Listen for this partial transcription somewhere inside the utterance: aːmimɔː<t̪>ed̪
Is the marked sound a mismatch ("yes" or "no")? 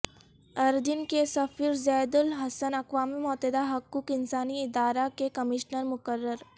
no